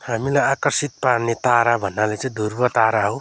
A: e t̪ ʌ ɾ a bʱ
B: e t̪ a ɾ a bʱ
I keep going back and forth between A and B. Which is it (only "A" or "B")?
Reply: B